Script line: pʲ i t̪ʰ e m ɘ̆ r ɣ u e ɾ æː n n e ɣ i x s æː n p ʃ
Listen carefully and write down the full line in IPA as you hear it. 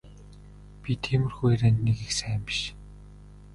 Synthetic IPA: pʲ i t̪ʰ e m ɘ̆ r x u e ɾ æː n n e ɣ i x s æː m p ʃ

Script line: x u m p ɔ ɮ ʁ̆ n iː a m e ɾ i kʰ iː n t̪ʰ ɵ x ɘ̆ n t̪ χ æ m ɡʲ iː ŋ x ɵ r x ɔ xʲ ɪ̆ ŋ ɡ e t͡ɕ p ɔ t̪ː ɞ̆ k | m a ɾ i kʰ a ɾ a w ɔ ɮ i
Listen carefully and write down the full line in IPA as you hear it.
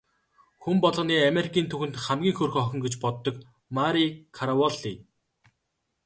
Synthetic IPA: x u m p ɔ ɮ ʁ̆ n iː a m e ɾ i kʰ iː n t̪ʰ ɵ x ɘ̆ n t̪ χ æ m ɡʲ iː ŋ x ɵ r x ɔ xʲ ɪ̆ ŋ ɡ e t͡ɕ p ɔ t̪ː ɞ̆ k | m a ɾ i kʰ a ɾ a w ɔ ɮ i

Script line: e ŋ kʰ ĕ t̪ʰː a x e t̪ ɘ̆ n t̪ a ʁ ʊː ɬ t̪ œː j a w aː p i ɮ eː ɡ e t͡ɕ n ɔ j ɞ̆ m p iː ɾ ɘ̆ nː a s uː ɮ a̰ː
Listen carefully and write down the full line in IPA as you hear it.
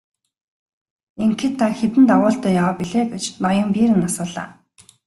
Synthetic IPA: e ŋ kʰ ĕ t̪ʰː a x e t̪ ɘ̆ n t̪ a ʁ ʊː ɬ t̪ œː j a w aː p i ɮ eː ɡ e t͡ɕ n ɔ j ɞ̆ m p iː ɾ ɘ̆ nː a s ʊː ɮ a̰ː

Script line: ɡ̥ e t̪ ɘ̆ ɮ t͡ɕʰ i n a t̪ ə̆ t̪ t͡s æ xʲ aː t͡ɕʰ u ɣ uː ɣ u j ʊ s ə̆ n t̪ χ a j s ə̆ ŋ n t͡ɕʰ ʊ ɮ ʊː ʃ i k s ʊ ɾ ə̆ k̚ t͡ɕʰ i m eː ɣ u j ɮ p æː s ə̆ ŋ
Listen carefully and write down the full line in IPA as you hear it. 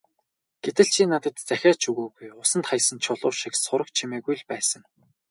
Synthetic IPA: ɡ̥ e t̪ ɘ̆ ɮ t͡ɕʰ i n a t̪ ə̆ t̪ t͡s æ xʲ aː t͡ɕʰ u ɣ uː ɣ u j ʊ s ə̆ n t̪ χ a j s ə̆ n t͡ɕʰ ʊ ɮ ʊː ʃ i k s ʊ ɾ ə̆ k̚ t͡ɕʰ i m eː ɣ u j ɮ p æː s ə̆ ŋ

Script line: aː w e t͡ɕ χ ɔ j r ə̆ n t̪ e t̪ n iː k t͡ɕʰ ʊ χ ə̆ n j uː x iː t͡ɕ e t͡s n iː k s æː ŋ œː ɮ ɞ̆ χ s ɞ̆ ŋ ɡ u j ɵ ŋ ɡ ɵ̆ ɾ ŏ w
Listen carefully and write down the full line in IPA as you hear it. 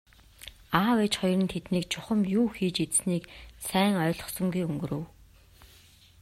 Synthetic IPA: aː w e t͡ɕ χ ɔ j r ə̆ n t̪ʰ e t̪ n iː k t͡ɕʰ ʊ χ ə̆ m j uː x iː t͡ɕ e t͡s n iː k s æː ŋ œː ɮ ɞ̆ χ s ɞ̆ ŋ ɡ u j ɵ ŋ ɡ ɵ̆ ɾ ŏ w

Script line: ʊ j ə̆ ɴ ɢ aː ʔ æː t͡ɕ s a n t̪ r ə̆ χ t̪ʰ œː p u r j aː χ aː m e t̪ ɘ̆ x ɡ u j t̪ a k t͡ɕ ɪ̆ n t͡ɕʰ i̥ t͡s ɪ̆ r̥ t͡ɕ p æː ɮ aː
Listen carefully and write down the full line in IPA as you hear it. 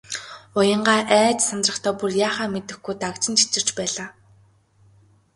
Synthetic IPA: ʊ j ə̆ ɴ ɢ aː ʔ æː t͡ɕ s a n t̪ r ə̆ χ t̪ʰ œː p u r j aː χ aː m e t̪ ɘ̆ x ɡ u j t̪ a k t͡ɕ ɪ̆ n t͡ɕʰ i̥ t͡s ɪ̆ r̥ t͡ɕ p æː ɮ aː

